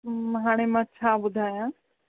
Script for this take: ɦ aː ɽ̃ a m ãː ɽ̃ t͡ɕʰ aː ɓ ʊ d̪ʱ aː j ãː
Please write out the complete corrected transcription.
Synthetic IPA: ɦ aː ɽ̃ e m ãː t͡ɕʰ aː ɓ ʊ d̪ʱ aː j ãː